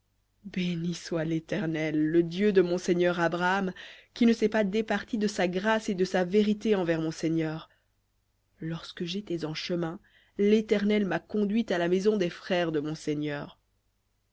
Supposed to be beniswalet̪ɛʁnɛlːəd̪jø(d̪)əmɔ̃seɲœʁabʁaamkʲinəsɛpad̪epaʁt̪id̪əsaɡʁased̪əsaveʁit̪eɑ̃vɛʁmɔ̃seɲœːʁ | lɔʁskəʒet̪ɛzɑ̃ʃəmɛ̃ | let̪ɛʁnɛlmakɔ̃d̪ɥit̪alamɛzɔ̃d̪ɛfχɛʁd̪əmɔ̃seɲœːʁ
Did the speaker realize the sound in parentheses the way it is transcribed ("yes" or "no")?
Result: yes